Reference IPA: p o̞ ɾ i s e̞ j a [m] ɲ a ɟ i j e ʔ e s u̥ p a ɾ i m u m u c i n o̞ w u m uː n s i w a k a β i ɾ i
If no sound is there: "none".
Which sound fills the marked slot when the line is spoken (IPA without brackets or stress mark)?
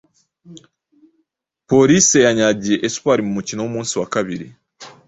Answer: none